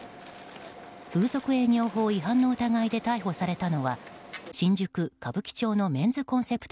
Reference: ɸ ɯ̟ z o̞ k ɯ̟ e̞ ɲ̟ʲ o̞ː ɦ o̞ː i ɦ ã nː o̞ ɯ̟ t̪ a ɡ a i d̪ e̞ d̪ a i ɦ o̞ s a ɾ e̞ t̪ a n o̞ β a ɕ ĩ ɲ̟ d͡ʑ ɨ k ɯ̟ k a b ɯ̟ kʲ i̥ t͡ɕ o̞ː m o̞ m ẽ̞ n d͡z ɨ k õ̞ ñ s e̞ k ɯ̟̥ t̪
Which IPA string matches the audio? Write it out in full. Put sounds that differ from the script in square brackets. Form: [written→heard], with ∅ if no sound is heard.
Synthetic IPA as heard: ɸ [ɯ̟→ɯ̟ː] z o̞ k ɯ̟ e̞ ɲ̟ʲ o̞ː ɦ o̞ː i ɦ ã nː o̞ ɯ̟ t̪ a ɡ a i d̪ e̞ [d̪→t̪] a i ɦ o̞ s a ɾ e̞ t̪ a n o̞ β a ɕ ĩ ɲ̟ d͡ʑ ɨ k ɯ̟ k a b ɯ̟ kʲ i̥ t͡ɕ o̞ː [m→n] o̞ m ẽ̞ n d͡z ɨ k õ̞ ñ s e̞ [k→p] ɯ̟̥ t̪